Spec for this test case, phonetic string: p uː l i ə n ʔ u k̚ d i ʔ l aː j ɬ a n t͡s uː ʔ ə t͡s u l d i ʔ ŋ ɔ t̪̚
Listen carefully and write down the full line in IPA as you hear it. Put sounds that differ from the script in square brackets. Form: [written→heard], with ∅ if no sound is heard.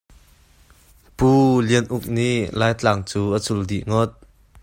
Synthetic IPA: p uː l i ə n ʔ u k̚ [d→n] i ʔ l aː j [ɬ→t͡ɬ] a [n→ŋ] t͡s uː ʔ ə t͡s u l d i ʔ ŋ ɔ t̪̚